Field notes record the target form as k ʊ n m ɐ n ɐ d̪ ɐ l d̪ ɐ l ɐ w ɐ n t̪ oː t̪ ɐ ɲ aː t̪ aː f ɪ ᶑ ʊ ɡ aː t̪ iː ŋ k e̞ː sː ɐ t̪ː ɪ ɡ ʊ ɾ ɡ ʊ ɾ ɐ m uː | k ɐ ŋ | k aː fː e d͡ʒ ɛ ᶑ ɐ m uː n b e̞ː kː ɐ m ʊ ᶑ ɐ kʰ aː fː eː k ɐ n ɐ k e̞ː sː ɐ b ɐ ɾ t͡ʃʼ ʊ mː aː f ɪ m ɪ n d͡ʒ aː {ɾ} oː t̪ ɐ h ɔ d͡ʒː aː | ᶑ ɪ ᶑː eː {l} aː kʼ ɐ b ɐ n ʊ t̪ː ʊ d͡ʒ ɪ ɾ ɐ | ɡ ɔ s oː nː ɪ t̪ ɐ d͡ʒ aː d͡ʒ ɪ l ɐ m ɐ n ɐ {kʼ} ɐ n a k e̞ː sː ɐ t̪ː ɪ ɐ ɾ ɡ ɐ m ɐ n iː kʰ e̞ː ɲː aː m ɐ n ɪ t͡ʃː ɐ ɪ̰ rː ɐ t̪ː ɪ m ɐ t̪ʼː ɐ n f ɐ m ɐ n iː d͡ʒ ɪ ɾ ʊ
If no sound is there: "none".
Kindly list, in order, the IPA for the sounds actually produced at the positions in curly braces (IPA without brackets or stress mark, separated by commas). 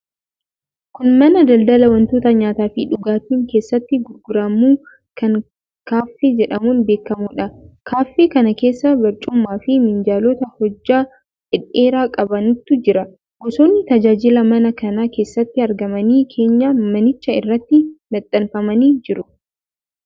l, ɾ, k